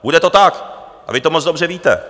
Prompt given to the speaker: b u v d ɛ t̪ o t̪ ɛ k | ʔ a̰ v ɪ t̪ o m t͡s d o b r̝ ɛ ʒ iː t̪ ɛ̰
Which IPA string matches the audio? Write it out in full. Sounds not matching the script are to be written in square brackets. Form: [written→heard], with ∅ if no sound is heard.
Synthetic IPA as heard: b u [v→∅] d ɛ t̪ o t̪ [ɛ→a] k | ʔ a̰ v ɪ t̪ o m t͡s d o b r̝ ɛ [ʒ→v] iː t̪ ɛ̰